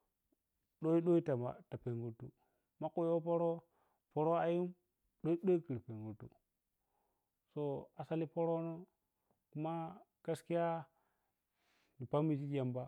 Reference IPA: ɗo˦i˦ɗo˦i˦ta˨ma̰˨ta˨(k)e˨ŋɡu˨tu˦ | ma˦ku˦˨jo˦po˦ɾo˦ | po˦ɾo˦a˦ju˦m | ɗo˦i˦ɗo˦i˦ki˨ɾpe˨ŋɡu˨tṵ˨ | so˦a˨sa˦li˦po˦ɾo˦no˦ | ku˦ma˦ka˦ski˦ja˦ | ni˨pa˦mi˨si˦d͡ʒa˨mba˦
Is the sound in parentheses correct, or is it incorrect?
incorrect